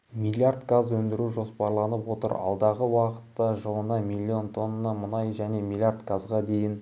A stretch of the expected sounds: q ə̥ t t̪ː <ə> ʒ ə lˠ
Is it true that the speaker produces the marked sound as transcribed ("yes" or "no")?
no